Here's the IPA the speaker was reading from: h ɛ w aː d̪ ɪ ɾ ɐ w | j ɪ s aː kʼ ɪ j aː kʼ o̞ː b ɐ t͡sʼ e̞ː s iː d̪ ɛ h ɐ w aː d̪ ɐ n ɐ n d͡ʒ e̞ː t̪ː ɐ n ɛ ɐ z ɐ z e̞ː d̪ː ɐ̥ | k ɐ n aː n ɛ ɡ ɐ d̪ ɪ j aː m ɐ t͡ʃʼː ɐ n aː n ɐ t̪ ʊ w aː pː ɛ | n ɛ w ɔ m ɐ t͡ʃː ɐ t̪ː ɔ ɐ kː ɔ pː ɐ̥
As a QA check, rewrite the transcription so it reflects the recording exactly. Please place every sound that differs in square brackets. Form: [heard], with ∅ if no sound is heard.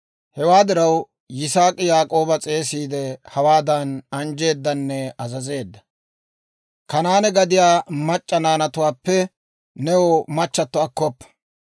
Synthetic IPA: h ɛ w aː d̪ ɪ ɾ ɐ w | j ɪ s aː kʼ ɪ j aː kʼ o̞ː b ɐ t͡sʼ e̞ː s iː d̪ ɛ h ɐ w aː d̪ ɐ n ɐ n d͡ʒ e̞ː [d̪ː] ɐ [nː] ɛ ɐ z ɐ z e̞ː d̪ː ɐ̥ | k ɐ n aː n ɛ ɡ ɐ d̪ ɪ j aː m ɐ t͡ʃʼː ɐ n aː n ɐ t̪ ʊ w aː pː ɛ | n ɛ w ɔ m ɐ t͡ʃː ɐ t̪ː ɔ ɐ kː ɔ pː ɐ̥